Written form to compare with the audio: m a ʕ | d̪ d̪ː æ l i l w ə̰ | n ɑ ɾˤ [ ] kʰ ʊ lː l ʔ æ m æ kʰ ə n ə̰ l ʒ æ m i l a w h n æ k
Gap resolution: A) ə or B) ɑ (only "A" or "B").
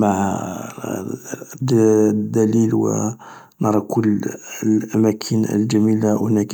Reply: B